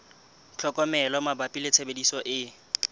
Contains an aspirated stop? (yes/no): yes